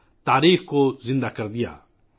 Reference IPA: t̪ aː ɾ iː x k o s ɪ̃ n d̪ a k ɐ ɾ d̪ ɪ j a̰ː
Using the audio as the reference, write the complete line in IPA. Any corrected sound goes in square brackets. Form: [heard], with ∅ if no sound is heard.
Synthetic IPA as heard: t̪ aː ɾ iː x k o [z] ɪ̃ n d̪ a k ɐ ɾ d̪ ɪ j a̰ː